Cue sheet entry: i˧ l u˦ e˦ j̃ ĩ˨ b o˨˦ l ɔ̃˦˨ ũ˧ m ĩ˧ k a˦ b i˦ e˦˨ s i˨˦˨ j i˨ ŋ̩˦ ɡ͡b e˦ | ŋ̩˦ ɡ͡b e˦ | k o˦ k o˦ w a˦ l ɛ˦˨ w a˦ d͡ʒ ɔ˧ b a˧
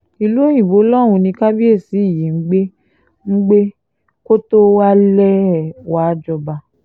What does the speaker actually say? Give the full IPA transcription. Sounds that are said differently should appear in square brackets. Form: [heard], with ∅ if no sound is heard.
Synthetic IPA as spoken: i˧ l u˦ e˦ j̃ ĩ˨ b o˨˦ l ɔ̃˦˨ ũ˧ [n] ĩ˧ k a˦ b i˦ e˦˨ s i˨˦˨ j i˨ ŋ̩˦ ɡ͡b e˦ | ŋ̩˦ ɡ͡b e˦ | k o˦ [t] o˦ w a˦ l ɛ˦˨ w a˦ d͡ʒ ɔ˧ b a˧